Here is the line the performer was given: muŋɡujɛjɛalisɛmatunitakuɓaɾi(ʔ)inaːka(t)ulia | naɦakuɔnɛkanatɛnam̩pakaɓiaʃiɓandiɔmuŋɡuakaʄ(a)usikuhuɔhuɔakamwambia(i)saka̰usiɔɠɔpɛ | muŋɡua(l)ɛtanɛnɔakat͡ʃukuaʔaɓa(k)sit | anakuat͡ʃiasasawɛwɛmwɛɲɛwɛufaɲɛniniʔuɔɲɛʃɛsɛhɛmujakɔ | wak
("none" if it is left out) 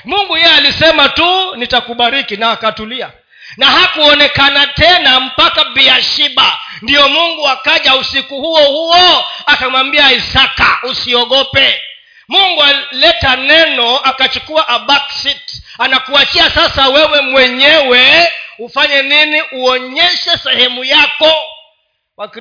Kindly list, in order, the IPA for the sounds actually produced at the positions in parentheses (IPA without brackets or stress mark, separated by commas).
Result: k, t, a, i, l, k